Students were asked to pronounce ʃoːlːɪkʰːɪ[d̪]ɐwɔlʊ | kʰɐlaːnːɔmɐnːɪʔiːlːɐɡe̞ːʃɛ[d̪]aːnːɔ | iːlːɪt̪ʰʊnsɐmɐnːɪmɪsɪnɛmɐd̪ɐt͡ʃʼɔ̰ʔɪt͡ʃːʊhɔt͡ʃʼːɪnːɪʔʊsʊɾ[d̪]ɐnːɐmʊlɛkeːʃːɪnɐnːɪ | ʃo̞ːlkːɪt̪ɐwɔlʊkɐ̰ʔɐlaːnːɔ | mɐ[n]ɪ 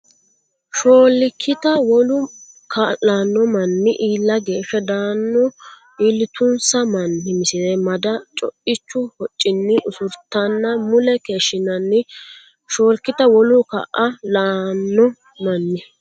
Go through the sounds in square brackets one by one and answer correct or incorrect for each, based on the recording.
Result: incorrect: t̪, correct, incorrect: t̪, incorrect: nː

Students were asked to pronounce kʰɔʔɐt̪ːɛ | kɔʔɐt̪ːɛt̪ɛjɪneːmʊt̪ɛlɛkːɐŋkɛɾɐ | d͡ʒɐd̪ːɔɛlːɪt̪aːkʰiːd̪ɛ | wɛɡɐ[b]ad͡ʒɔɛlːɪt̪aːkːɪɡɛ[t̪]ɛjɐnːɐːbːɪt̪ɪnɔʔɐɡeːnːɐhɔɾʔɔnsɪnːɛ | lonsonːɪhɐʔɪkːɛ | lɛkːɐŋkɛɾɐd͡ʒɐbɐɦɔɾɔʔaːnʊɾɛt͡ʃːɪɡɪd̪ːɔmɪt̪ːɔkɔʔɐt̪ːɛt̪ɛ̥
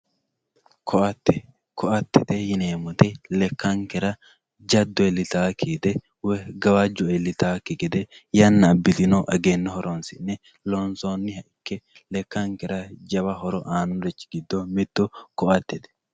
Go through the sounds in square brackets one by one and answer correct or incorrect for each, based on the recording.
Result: incorrect: w, incorrect: d̪

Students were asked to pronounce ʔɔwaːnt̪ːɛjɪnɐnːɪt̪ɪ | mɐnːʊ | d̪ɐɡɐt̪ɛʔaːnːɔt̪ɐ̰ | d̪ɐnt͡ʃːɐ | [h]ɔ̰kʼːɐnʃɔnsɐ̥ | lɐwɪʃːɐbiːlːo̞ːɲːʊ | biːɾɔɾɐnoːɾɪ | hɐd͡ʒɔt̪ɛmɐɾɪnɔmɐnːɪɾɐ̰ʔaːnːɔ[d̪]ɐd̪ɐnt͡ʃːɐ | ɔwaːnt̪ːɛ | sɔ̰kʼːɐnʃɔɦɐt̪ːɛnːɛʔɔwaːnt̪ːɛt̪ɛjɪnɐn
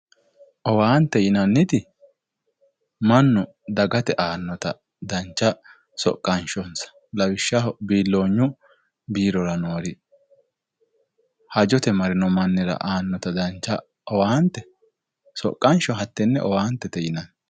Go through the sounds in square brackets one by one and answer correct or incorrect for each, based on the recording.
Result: incorrect: s, incorrect: t̪

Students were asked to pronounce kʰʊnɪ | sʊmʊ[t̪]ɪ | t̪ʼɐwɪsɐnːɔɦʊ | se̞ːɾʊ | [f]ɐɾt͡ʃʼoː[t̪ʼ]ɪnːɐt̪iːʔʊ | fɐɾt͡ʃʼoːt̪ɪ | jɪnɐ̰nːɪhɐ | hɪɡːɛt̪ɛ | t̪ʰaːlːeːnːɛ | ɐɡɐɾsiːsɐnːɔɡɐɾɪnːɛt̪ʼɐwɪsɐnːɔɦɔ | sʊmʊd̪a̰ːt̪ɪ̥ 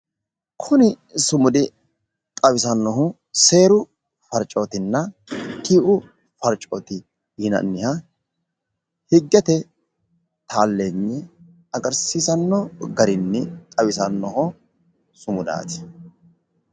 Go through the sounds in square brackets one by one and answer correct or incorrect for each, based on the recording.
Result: incorrect: d̪, correct, incorrect: t̪

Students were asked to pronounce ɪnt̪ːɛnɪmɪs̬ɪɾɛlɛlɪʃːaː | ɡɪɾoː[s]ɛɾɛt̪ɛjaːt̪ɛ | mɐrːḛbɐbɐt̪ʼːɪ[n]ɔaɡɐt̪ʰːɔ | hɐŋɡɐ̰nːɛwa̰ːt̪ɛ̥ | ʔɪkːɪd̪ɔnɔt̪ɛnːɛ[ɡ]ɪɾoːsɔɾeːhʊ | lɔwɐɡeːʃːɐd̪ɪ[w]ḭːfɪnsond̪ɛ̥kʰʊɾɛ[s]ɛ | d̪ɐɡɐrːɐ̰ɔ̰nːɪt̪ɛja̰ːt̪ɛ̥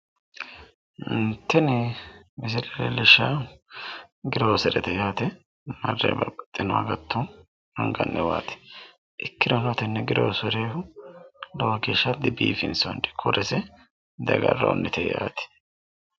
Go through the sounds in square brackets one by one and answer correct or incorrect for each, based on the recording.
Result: correct, correct, correct, incorrect: b, correct

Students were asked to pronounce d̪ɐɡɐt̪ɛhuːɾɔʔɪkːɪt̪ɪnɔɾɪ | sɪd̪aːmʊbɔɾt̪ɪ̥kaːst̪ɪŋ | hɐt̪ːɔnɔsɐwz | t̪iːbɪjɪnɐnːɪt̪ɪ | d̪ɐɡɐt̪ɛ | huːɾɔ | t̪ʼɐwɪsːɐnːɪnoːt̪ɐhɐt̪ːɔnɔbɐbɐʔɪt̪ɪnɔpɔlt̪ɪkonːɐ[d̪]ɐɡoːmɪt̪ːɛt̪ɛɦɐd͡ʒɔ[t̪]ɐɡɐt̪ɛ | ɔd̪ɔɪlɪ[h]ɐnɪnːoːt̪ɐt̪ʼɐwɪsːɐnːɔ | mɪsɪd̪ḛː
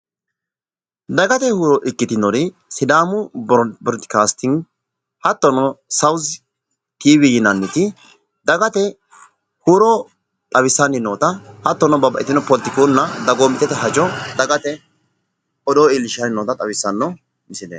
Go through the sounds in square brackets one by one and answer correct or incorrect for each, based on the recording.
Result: correct, incorrect: d̪, incorrect: ʃ

